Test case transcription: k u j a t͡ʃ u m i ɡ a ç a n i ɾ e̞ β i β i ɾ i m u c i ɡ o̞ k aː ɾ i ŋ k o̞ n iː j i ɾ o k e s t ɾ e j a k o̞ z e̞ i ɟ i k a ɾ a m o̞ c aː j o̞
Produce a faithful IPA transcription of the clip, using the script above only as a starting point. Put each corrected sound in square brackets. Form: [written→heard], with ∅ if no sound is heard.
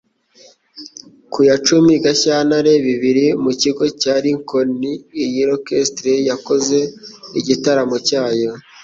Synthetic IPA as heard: k u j a t͡ʃ u m i ɡ a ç a n [i→a] ɾ e̞ β i β i ɾ i m u c i ɡ o̞ [k→c] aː ɾ i ŋ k o̞ n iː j i ɾ o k e s t ɾ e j a k o̞ z e̞ i ɟ i [k→t] a ɾ a m o̞ c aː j o̞

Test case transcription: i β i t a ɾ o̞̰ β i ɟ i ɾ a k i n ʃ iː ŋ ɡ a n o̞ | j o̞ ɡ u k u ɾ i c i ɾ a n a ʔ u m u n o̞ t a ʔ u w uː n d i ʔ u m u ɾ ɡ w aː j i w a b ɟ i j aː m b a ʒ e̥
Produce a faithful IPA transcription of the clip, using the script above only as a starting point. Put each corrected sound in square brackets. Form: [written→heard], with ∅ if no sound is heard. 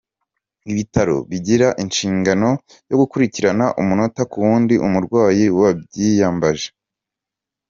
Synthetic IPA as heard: i β i t a ɾ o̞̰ β i ɟ i ɾ a [k→ʔ] i n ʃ iː ŋ ɡ a n o̞ | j o̞ ɡ u k u ɾ i c i ɾ a n a ʔ u m u n o̞ t a [ʔ→k] u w uː n d i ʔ u m u ɾ ɡ w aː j i w a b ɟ i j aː m b a ʒ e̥

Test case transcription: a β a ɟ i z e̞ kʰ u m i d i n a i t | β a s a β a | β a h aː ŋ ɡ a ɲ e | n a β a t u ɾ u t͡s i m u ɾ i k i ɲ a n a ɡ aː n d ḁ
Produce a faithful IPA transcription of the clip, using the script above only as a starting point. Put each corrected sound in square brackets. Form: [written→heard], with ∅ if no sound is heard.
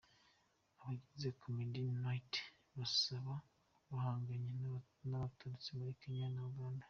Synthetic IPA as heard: a β a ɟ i z e̞ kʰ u m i d i n a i t | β a s a β a | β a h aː ŋ ɡ a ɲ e | n a β a t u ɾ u t͡s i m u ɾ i k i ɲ a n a ɡ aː n d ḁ

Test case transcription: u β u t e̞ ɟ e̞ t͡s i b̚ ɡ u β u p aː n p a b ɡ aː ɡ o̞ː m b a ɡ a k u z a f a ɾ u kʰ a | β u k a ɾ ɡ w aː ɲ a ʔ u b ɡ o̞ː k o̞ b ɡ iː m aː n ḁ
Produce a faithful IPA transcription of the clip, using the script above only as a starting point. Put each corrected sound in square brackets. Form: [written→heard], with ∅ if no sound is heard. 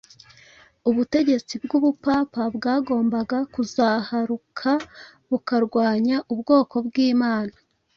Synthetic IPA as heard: u β u t e̞ ɟ e̞ t͡s i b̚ ɡ u β u p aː [n→∅] p a b ɡ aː ɡ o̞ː m b a ɡ a k u z a [f→h] a ɾ u kʰ a | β u k a ɾ ɡ w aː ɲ a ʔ u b ɡ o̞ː k o̞ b ɡ iː m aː n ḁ

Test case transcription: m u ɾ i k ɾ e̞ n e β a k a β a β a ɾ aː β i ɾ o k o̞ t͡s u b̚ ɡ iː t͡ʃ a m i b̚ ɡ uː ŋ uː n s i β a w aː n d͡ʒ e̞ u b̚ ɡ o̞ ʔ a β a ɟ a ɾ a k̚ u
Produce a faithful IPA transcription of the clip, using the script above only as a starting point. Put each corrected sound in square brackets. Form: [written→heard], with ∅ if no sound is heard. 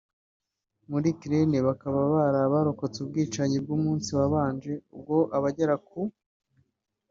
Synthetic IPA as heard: m u ɾ i k ɾ e̞ n e β a k a β a β a ɾ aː β [i→a] ɾ o k o̞ t͡s u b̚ ɡ iː t͡ʃ a [m→ɲ] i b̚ ɡ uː [ŋ→m] uː n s i β a [w→β] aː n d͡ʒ e̞ u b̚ ɡ o̞ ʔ a β a ɟ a ɾ a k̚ u

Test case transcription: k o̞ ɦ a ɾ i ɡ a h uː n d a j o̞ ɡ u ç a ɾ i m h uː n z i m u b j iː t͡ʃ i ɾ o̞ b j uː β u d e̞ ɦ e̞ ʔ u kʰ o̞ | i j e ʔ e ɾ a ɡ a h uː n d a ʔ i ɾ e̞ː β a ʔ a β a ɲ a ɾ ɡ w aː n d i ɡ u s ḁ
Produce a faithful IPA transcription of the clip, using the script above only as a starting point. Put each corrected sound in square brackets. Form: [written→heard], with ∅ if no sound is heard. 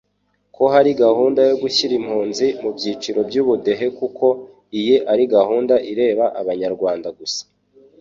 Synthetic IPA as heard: k o̞ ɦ a ɾ i ɡ a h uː n d a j o̞ ɡ u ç [a→i] ɾ i m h uː n z i m u b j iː t͡ʃ i ɾ o̞ b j uː β u d e̞ ɦ e̞ [ʔ→k] u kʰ o̞ | i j e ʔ [e→a] ɾ [a→i] ɡ a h uː n d a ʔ i ɾ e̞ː β a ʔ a β a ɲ a ɾ ɡ w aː n d [i→a] ɡ u s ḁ

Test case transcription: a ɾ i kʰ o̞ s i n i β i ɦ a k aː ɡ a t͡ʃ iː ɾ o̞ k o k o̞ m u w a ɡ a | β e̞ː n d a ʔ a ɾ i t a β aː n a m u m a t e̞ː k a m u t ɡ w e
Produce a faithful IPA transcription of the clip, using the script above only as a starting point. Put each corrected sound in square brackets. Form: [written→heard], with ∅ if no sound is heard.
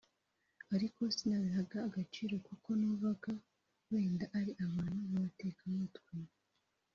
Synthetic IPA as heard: a ɾ i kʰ o̞ s i n [i→a] β i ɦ a [k→ɡ] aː ɡ a t͡ʃ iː ɾ o̞ k [o→u] k o̞ [m→n] u [w→β] a ɡ a | [β→w] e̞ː n d a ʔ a ɾ i [t→ʔ] a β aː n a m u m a t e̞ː k a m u t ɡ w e

